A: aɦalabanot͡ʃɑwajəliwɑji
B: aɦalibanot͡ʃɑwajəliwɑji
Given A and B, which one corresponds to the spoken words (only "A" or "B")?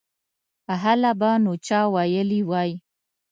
A